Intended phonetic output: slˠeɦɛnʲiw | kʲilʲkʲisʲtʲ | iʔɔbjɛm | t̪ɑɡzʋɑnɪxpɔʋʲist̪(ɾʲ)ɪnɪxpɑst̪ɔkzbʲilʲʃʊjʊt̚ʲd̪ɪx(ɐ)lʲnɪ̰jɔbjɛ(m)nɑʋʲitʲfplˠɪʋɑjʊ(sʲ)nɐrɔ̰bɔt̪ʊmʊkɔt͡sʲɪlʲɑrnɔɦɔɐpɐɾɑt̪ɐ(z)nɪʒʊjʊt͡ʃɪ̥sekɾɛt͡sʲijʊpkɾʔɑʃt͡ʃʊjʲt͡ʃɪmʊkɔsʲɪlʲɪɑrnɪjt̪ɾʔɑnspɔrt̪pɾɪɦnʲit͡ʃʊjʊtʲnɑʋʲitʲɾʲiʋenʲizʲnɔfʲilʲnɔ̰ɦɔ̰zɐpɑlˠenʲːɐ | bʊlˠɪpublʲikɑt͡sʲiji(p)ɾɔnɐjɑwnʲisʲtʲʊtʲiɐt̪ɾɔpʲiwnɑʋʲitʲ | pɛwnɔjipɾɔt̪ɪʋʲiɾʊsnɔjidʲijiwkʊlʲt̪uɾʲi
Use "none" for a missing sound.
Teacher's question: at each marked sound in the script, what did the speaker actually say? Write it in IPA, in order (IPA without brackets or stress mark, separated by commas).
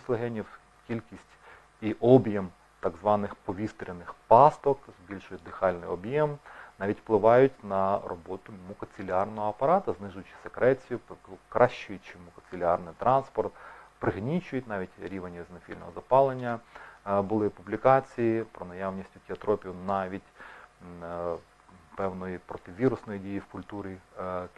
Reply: ɾʲ, ɑ, m, tʲ, z, p